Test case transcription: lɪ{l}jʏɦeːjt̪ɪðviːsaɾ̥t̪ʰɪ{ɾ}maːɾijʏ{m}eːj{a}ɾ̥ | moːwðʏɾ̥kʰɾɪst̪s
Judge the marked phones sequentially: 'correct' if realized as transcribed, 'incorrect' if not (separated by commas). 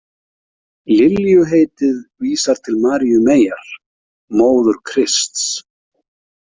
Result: correct, incorrect, correct, correct